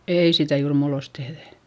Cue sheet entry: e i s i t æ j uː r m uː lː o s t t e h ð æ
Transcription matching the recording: e i s i t æ j uː r m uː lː o s t t e h ð æ